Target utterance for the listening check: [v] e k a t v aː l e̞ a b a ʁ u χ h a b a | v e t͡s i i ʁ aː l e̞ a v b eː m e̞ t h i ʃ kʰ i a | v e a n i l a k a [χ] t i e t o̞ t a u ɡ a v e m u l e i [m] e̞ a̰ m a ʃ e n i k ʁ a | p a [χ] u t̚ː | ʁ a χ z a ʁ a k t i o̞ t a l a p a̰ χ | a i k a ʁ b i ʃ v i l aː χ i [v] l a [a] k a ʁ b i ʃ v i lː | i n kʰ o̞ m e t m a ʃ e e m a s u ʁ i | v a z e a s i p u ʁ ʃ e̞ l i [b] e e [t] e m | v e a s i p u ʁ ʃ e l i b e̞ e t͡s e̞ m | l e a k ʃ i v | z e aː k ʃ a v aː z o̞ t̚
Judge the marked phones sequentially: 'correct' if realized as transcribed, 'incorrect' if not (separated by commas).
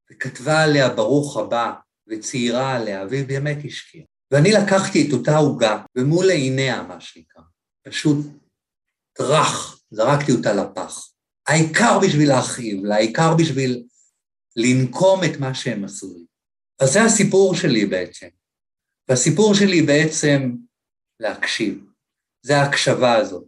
correct, correct, incorrect, incorrect, correct, incorrect, correct, incorrect